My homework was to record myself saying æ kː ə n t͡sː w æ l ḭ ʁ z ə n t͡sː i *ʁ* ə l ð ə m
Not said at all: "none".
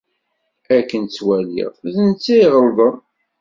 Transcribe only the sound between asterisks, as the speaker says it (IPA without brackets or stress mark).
ʁ